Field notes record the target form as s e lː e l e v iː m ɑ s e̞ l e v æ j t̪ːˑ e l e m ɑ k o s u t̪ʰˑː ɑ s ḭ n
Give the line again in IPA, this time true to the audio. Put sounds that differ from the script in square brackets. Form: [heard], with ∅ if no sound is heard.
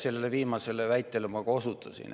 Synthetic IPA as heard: s e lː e l e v iː m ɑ s e̞ l e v æ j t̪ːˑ e l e m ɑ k o s u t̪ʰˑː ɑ s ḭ n